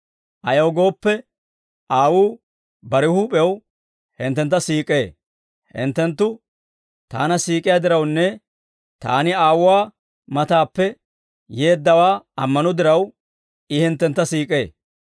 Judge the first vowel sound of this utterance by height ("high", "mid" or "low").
low